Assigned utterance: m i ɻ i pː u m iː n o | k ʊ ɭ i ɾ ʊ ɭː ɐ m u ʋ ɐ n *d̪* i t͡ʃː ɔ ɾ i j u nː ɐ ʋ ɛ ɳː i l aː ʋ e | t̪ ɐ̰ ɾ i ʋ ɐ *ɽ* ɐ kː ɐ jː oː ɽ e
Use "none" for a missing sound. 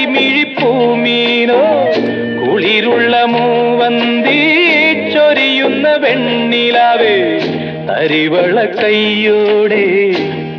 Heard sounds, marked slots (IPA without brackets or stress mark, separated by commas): d̪, ɭ